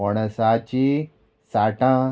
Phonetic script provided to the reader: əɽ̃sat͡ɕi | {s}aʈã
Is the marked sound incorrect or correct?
correct